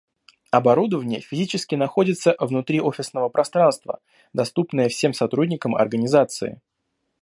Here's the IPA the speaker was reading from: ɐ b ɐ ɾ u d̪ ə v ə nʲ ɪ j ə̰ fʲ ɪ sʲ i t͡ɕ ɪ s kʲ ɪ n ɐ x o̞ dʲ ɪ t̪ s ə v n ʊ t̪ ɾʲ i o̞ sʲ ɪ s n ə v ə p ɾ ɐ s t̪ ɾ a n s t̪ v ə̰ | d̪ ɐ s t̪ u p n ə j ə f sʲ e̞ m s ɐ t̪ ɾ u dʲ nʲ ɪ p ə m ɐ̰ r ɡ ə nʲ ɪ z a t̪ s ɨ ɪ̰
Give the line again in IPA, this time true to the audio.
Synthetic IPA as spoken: ɐ b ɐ ɾ u d̪ ə v ə nʲ ɪ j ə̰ fʲ ɪ zʲ i t͡ɕ ɪ s kʲ ɪ n ɐ x o̞ dʲ ɪ t̪ s ə v n ʊ t̪ ɾʲ i o̞ fʲ ɪ s n ə v ə p ɾ ɐ s t̪ ɾ a n s t̪ v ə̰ | d̪ ɐ s t̪ u p n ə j ə f sʲ e̞ m s ɐ t̪ ɾ u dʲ nʲ ɪ k ə m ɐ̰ r ɡ ə nʲ ɪ z a t̪ s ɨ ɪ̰